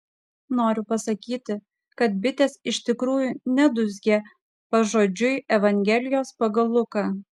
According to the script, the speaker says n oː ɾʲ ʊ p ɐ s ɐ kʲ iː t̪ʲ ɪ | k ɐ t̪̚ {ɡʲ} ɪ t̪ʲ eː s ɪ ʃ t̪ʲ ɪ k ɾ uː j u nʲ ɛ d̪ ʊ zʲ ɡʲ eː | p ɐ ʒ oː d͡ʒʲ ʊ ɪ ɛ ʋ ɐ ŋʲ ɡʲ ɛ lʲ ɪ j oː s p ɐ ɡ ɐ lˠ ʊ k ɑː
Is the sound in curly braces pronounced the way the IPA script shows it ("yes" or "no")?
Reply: no